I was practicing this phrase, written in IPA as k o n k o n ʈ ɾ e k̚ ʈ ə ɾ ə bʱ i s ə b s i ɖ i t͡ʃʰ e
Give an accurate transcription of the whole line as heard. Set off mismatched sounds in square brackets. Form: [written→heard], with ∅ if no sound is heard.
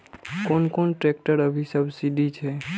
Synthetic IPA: k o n k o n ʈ ɾ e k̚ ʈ ə ɾ ə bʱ i s ə b s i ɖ i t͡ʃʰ e